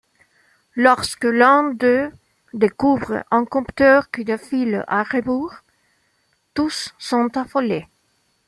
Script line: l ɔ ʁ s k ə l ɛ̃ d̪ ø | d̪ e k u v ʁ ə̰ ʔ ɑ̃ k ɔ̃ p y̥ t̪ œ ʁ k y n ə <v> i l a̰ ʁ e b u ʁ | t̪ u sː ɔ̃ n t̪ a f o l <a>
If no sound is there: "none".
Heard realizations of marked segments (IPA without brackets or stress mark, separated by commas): f, e